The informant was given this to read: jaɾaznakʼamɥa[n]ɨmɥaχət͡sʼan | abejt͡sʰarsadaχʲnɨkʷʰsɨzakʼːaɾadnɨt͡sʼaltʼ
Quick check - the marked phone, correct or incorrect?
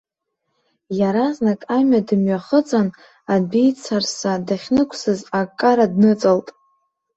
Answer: incorrect